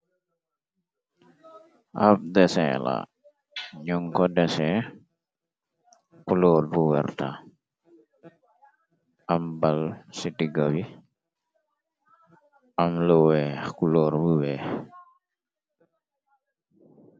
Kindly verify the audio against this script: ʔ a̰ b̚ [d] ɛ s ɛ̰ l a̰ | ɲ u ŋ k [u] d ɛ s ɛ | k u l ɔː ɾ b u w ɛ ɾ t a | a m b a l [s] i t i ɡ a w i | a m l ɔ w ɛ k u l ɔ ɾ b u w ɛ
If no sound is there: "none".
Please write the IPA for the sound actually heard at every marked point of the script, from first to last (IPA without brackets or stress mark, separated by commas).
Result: d, ɔ, s